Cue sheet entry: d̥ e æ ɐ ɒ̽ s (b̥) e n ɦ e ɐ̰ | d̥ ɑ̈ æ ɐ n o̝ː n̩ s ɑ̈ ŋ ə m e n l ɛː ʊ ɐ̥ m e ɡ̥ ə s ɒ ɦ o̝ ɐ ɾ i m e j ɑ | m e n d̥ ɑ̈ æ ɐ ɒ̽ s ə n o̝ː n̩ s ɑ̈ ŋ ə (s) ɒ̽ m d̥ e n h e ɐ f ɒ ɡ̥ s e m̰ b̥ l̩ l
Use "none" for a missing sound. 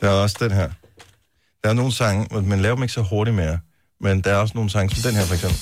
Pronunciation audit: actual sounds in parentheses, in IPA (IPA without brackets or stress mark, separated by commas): d̥, s